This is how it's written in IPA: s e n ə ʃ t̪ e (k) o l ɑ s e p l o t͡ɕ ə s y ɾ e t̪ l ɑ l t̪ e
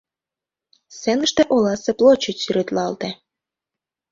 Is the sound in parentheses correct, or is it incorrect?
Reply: incorrect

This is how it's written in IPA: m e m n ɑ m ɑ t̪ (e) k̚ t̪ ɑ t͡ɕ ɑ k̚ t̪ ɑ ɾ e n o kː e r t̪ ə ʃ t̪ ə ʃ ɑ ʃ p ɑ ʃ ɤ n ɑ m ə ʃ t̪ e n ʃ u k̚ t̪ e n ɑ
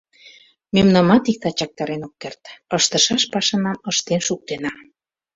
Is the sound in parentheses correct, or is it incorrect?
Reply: incorrect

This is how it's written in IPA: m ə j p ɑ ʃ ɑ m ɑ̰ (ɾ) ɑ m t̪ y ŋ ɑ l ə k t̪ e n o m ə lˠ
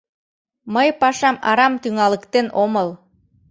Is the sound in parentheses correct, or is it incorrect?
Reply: correct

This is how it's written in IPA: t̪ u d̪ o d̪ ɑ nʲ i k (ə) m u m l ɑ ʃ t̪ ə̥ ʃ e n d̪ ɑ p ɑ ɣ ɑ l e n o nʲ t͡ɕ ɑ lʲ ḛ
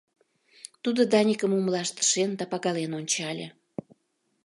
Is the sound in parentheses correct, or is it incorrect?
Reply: correct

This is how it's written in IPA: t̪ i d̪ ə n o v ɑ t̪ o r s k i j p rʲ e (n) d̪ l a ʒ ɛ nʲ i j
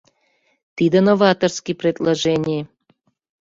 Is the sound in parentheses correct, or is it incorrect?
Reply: incorrect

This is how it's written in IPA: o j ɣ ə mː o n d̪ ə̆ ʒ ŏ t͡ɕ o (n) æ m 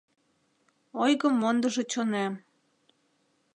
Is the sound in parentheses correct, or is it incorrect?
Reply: correct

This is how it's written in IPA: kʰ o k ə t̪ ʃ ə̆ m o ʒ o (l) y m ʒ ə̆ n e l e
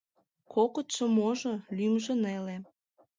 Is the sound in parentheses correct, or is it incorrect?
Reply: correct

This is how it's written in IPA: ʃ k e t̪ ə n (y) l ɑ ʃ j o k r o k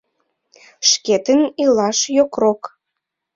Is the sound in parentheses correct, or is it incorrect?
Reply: incorrect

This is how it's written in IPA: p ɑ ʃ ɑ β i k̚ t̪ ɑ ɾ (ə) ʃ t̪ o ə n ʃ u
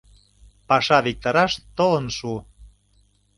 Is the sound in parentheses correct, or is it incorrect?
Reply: incorrect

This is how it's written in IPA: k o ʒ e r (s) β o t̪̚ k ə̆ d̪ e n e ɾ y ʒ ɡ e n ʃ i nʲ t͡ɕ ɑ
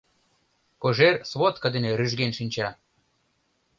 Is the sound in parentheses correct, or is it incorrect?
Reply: correct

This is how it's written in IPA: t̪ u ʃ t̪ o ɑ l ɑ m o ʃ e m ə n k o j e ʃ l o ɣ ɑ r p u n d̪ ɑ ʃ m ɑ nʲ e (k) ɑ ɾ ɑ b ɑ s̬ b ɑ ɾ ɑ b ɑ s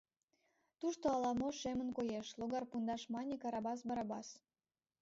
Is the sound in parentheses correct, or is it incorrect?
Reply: correct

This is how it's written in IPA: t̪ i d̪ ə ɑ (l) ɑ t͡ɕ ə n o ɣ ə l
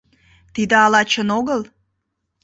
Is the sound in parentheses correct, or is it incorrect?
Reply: correct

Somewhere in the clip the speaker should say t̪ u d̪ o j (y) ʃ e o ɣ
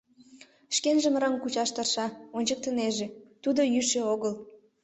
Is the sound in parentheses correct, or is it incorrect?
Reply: correct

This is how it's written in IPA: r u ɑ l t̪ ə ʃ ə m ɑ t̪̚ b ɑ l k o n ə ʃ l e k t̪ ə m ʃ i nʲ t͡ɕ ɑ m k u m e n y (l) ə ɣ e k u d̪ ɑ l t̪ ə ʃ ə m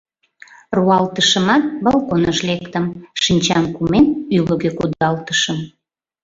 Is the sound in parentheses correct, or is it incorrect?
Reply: correct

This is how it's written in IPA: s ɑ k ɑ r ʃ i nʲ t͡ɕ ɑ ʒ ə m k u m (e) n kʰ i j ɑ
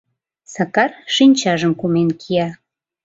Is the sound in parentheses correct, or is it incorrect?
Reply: correct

